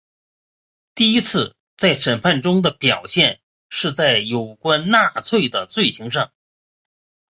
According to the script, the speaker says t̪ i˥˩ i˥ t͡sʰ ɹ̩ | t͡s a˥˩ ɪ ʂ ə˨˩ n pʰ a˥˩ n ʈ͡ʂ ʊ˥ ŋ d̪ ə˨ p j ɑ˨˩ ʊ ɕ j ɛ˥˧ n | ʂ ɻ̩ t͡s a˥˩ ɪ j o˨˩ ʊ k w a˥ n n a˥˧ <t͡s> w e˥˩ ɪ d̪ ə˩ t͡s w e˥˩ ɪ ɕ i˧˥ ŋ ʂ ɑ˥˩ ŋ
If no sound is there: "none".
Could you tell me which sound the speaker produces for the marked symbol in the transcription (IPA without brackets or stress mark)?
t͡sʰ